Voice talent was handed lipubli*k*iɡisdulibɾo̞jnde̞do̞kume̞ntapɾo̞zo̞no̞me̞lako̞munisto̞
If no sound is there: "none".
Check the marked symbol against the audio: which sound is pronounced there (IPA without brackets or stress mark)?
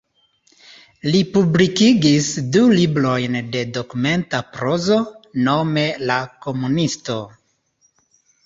k